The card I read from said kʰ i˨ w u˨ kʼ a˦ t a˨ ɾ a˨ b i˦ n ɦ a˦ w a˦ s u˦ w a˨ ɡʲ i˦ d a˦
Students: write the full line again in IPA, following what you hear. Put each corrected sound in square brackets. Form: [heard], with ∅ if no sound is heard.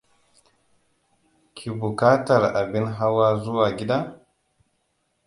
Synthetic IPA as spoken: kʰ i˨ [b] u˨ [k] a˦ t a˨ ɾ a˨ b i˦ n ɦ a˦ w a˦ [z] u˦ w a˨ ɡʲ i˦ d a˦